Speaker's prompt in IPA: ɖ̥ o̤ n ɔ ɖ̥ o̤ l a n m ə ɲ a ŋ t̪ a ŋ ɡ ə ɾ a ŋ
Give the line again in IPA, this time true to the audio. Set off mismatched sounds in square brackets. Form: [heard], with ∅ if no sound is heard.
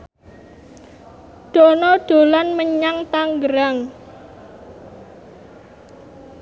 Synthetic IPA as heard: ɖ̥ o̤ n ɔ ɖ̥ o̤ l a n m ə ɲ a ŋ t̪ a ŋ ɡ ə ɾ a ŋ